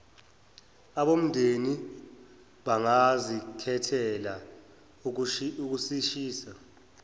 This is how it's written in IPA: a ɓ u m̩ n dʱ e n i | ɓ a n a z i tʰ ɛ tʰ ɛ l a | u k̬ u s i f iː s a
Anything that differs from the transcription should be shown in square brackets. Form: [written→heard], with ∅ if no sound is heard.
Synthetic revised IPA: a ɓ [u→o] m̩ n dʱ e n i | ɓ a [n→ŋ] a z i [tʰ→kʰ] ɛ tʰ ɛ l a | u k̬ u s i [f→ʃ] iː s a